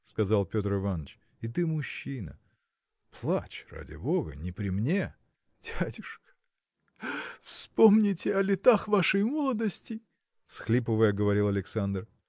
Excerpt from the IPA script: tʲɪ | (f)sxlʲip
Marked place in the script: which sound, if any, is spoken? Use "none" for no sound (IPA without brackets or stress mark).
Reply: f